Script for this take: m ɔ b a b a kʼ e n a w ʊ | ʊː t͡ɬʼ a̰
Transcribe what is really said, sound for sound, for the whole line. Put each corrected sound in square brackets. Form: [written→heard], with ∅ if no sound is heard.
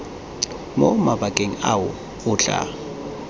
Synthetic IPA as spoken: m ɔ [b→m] a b a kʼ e [n→ŋ] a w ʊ | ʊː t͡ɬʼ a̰